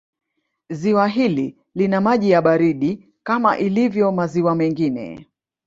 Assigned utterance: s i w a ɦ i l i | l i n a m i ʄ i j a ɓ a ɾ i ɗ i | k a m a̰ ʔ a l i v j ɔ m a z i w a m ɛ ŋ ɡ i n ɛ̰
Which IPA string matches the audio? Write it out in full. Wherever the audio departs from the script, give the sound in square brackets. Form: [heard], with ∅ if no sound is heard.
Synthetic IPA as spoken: [z] i w a ɦ i l i | l i n a m [a] ʄ i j a ɓ a ɾ i ɗ i | k a m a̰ ʔ [i] l i v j ɔ m a z i w a m ɛ ŋ ɡ i n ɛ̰